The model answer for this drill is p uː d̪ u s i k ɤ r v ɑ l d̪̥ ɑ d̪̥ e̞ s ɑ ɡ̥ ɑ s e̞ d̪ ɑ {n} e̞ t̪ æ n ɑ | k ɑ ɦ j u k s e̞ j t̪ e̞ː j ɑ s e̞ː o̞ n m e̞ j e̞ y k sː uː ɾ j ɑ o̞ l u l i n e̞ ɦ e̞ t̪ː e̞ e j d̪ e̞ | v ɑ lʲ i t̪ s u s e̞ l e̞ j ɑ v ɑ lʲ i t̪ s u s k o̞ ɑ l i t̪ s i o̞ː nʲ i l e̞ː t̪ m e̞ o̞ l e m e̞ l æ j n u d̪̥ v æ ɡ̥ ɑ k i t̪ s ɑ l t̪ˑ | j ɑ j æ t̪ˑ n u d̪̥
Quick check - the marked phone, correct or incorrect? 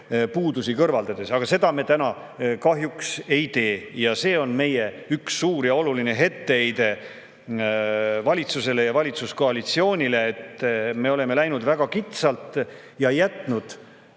incorrect